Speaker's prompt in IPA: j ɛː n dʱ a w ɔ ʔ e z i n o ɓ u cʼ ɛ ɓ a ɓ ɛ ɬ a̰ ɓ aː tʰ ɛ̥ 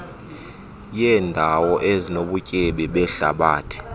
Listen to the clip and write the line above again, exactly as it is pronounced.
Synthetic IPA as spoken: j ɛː n dʱ a w ɔ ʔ e z i n o ɓ u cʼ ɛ ɓ ɛ ɓ ɛ ɬ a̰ ɓ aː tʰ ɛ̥